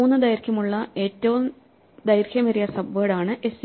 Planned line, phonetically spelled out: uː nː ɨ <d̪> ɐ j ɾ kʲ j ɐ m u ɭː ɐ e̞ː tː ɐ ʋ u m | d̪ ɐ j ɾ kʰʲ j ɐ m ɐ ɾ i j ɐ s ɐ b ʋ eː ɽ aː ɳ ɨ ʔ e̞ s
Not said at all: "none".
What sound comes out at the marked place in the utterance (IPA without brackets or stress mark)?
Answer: d̪